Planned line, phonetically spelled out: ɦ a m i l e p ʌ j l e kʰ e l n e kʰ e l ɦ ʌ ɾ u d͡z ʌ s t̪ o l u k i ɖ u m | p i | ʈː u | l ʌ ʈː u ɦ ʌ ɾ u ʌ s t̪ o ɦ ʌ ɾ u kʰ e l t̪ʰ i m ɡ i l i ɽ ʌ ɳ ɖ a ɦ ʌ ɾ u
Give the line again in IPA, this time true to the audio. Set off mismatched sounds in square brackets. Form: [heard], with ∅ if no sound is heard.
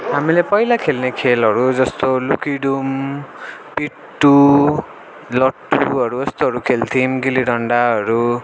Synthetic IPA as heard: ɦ a m i l e p ʌ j l [a] kʰ e l n e kʰ e l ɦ ʌ ɾ u d͡z ʌ s t̪ o l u k i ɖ u m | p i | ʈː u | l ʌ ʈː u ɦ ʌ ɾ u ʌ s t̪ o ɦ ʌ ɾ u kʰ e l t̪ʰ i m ɡ i l i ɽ ʌ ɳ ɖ a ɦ ʌ ɾ u

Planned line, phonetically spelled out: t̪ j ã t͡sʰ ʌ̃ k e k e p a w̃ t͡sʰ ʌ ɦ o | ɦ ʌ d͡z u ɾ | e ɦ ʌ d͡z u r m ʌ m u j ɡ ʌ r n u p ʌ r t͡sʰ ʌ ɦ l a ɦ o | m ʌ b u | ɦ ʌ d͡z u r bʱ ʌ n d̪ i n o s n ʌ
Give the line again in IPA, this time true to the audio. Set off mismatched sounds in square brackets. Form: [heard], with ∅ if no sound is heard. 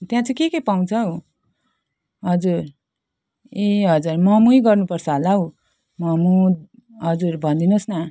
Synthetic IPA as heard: t̪ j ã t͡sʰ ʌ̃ k e k e p a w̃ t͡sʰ ʌ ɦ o | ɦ ʌ d͡z u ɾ | e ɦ ʌ d͡z u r m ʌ m u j ɡ ʌ r n u p ʌ r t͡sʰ ʌ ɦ l a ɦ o | m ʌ [m] u | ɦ ʌ d͡z u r bʱ ʌ n d̪ i n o s n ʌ

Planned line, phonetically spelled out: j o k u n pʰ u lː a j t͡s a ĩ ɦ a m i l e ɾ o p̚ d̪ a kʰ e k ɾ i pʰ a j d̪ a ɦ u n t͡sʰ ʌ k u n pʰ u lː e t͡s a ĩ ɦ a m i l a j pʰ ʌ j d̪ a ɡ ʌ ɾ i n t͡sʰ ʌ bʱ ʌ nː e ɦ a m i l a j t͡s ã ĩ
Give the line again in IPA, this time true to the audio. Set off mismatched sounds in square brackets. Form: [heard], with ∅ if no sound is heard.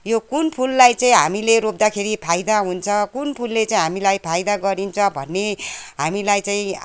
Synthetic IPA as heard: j o k u n pʰ u lː a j t͡s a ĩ ɦ a m i l e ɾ o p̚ d̪ a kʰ e [∅] ɾ i pʰ a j d̪ a ɦ u n t͡sʰ ʌ k u n pʰ u lː e t͡s a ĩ ɦ a m i l a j pʰ [a] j d̪ a ɡ ʌ ɾ i n t͡sʰ ʌ bʱ ʌ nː e ɦ a m i l a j t͡s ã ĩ

